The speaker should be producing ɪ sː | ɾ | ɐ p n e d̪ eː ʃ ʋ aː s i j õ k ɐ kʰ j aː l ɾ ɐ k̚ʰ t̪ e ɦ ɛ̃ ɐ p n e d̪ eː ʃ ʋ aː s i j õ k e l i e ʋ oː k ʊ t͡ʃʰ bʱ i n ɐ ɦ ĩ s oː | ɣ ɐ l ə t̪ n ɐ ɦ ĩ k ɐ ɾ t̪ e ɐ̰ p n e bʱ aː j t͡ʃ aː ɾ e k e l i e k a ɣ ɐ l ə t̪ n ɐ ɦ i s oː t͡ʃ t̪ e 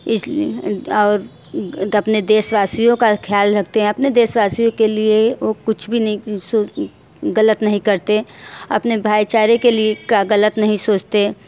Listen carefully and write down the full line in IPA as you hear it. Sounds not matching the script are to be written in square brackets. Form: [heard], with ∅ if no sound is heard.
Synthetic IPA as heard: ɪ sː | ɾ | ɐ p n e d̪ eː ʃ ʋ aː s i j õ k [a] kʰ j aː l ɾ ɐ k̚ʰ t̪ e ɦ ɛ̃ ɐ p n e d̪ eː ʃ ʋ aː s i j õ k e l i e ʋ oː k ʊ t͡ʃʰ bʱ i n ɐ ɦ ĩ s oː | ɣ ɐ l ə t̪ n ɐ ɦ ĩ k ɐ ɾ t̪ e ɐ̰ p n e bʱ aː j t͡ʃ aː ɾ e k e l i e k a ɣ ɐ l ə t̪ n ɐ ɦ [ĩ] s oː t͡ʃ t̪ e